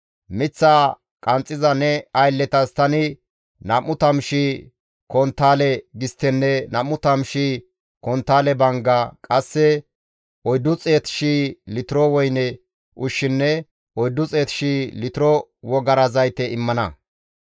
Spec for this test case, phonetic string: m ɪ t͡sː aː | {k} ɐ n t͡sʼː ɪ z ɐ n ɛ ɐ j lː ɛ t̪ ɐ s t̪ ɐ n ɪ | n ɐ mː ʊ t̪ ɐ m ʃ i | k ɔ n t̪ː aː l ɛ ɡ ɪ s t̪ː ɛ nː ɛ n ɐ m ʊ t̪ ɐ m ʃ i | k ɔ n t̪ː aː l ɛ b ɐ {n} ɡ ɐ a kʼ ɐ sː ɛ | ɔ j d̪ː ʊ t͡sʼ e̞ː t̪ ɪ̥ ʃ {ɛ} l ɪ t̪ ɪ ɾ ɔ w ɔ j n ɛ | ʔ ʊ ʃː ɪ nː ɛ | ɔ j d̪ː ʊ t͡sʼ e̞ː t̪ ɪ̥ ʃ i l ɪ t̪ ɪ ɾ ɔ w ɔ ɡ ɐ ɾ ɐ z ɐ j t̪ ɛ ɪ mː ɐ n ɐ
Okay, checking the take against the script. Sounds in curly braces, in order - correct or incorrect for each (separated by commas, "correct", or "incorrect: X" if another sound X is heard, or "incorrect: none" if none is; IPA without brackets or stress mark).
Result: incorrect: kʼ, incorrect: ŋ, incorrect: i